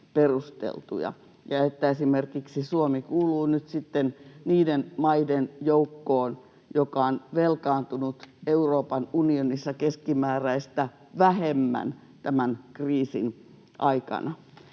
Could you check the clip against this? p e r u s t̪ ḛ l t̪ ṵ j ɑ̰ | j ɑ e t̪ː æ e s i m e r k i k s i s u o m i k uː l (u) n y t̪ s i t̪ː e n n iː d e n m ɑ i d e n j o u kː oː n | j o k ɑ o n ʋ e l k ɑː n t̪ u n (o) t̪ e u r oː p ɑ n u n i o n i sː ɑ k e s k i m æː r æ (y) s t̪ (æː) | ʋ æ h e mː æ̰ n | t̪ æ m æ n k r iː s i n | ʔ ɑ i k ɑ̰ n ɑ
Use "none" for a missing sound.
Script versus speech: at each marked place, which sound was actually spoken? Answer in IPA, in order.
uː, u, i, æ

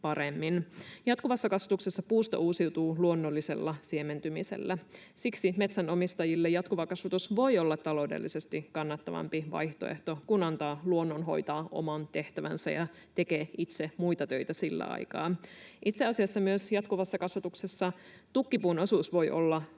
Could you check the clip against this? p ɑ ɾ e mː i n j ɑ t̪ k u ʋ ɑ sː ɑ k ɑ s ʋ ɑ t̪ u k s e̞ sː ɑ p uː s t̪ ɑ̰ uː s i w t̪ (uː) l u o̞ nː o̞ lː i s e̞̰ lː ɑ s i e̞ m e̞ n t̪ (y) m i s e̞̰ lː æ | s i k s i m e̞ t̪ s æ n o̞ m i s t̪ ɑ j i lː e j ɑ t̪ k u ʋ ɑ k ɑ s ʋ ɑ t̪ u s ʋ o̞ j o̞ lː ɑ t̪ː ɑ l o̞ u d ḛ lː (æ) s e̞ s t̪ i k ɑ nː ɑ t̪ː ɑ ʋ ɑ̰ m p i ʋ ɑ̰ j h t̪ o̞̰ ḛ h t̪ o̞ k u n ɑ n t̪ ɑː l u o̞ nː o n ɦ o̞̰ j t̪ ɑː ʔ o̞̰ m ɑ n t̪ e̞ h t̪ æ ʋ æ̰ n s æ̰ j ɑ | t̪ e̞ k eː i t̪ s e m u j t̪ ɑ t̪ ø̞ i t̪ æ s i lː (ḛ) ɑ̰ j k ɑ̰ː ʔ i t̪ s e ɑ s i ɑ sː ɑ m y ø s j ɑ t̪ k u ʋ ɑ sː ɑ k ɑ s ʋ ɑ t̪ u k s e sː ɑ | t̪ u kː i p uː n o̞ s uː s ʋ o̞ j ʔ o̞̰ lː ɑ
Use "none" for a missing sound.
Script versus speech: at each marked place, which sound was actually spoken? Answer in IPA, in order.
uː, y, i, æ̰

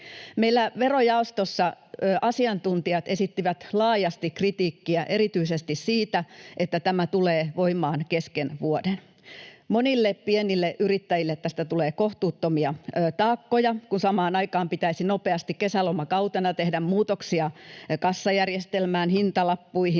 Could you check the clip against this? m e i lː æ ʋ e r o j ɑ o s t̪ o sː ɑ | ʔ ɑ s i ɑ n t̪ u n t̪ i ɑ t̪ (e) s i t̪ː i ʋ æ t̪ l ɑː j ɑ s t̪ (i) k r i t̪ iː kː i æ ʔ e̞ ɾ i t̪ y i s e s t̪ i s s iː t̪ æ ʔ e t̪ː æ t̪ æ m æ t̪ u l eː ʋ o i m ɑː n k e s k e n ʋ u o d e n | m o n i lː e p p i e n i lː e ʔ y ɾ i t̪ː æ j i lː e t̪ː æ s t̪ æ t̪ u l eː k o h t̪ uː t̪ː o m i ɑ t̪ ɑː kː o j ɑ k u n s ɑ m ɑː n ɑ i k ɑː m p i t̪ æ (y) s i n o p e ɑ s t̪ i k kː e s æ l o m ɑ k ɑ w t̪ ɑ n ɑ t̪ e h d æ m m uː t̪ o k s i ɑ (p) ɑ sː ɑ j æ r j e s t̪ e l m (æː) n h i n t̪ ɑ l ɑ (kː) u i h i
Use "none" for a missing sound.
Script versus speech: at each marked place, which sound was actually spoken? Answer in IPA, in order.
e, i, i, k, æː, pː

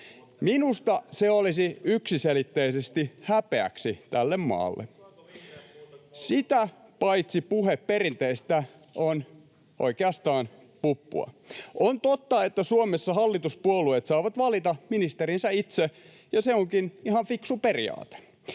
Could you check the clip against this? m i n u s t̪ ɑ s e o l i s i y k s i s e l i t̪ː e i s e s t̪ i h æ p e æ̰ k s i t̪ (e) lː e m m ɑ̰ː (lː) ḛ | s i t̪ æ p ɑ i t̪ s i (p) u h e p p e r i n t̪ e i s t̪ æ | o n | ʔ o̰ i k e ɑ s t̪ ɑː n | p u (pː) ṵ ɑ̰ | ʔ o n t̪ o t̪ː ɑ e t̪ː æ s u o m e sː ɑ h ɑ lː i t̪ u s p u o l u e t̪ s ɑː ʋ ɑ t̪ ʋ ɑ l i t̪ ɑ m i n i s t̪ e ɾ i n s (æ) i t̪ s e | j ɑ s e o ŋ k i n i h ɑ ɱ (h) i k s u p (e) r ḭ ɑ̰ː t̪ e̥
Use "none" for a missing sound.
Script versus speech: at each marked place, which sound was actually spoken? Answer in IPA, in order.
æ, lː, p, pː, æ, f, e

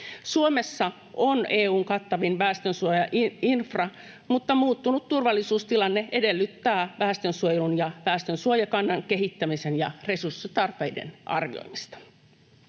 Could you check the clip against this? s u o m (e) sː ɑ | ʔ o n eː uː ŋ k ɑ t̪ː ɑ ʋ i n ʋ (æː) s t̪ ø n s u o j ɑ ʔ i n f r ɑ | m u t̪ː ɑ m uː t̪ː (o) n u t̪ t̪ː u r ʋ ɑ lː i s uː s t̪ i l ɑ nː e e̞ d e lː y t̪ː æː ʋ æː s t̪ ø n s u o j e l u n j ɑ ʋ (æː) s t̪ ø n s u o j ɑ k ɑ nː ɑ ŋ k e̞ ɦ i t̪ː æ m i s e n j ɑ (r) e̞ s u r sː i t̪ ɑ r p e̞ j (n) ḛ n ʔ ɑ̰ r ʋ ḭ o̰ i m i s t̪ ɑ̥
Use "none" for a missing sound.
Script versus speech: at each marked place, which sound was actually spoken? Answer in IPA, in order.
e, æː, u, æː, r, d

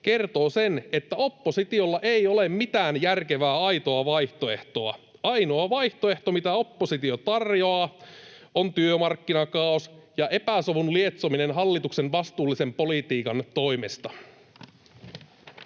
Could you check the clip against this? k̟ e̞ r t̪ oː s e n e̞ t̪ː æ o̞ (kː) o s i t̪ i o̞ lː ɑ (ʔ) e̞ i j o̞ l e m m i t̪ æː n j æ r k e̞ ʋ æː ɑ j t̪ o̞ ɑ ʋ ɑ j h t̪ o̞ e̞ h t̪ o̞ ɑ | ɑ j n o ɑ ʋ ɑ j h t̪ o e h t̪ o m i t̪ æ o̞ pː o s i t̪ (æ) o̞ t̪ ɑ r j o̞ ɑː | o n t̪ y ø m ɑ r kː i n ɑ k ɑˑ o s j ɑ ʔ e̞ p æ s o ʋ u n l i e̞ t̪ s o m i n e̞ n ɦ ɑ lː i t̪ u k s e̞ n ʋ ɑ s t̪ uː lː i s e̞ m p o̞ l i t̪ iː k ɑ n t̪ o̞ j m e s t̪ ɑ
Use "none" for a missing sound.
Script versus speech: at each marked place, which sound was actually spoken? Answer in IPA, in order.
pː, ʔ, i

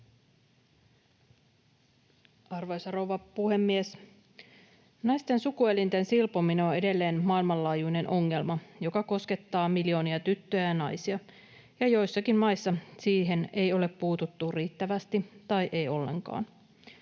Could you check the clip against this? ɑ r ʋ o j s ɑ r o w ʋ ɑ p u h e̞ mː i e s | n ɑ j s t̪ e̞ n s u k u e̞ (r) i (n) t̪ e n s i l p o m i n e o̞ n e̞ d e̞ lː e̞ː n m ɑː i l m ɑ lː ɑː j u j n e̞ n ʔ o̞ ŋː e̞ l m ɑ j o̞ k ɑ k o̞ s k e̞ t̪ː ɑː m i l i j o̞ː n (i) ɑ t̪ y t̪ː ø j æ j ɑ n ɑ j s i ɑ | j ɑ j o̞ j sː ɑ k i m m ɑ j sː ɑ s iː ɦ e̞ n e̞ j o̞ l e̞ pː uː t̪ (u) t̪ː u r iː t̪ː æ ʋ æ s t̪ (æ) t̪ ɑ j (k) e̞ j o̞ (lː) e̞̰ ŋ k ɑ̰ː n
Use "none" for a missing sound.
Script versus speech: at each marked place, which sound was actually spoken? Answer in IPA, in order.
l, n, i, u, i, ʔ, lː

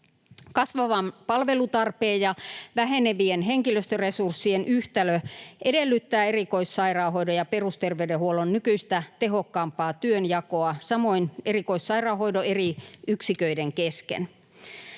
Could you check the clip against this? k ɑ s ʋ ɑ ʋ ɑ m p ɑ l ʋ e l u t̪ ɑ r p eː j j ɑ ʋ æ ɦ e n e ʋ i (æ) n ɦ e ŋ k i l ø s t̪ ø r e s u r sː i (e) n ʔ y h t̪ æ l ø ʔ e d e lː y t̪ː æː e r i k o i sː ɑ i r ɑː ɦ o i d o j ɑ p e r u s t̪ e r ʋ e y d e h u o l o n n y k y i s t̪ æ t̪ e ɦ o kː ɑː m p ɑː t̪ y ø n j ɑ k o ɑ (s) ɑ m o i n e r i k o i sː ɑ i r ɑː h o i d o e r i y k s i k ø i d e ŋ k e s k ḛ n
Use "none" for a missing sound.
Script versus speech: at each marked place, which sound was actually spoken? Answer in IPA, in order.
e, e, s

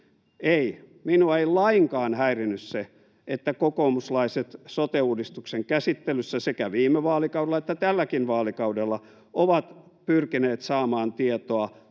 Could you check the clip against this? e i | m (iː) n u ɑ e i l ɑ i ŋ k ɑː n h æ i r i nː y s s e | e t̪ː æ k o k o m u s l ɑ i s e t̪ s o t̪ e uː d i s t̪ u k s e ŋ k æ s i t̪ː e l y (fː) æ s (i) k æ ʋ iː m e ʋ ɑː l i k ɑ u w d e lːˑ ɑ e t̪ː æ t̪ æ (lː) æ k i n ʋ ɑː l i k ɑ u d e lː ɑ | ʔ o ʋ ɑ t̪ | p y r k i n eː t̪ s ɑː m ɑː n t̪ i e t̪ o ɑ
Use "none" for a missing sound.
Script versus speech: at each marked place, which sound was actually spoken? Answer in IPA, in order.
i, sː, e, lː

